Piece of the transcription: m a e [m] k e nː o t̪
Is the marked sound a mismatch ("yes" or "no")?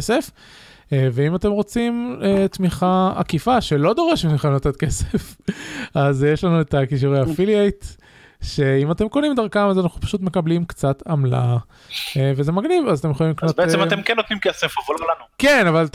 no